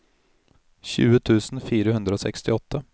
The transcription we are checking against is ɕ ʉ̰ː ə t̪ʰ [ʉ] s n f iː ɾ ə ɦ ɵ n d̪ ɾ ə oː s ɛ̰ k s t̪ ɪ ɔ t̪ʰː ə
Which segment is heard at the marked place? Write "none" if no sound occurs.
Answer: ʉː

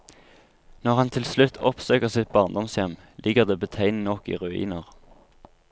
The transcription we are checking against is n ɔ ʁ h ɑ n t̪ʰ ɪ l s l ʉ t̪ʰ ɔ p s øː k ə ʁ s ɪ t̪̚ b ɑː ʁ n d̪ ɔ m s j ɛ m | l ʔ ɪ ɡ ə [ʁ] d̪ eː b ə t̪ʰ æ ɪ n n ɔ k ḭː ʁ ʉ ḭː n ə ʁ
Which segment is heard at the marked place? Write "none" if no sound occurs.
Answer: ʁ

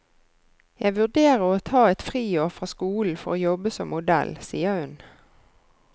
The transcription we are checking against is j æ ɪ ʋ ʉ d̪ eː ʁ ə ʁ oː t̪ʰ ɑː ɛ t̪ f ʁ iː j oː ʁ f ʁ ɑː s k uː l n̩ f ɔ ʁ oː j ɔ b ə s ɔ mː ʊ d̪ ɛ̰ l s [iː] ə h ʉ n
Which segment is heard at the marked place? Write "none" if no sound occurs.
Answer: iː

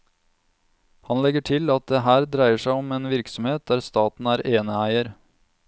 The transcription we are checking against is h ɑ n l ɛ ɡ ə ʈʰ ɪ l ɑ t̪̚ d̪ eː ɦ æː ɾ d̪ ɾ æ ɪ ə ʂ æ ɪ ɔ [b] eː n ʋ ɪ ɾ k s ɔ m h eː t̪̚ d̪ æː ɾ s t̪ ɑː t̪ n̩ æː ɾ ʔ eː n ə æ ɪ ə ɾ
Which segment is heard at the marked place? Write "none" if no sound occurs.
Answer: m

